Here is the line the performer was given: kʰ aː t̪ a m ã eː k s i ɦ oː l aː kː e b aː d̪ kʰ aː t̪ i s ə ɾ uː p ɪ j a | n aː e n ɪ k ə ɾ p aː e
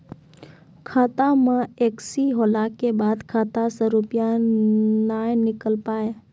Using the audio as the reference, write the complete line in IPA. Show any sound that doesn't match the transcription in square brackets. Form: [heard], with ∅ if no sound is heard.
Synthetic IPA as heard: kʰ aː t̪ a m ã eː k s i ɦ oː l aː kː e b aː d̪ kʰ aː t̪ [a] s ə ɾ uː p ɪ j a | n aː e n ɪ k ə [l] p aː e